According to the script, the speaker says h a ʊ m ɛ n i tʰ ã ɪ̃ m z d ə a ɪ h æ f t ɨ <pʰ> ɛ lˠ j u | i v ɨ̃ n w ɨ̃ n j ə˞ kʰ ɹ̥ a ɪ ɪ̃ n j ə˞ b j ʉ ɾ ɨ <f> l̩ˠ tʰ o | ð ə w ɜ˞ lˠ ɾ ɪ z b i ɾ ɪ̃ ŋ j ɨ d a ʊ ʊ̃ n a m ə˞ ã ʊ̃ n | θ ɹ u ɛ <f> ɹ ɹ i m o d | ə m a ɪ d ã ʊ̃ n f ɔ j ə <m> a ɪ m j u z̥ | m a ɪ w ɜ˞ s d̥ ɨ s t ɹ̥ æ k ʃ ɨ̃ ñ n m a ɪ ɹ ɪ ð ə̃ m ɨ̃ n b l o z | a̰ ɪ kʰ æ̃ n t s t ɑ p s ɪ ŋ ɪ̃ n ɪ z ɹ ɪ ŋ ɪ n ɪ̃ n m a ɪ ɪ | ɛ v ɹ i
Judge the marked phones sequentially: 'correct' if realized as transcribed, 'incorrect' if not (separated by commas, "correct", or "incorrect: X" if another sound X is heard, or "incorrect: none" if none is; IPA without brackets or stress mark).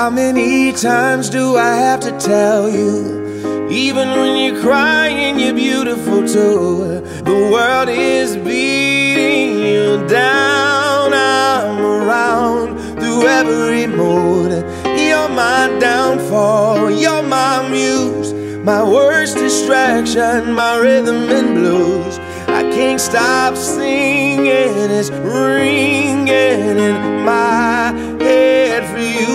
incorrect: tʰ, correct, incorrect: v, correct